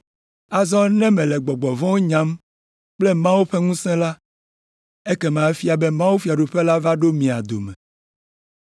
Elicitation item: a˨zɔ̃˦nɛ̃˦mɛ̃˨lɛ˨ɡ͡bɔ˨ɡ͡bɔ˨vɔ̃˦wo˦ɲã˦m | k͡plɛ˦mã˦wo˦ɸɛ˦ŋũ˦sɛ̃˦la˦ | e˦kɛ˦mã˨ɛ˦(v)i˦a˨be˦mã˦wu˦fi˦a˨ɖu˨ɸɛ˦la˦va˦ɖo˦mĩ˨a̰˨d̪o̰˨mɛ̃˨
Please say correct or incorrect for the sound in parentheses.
incorrect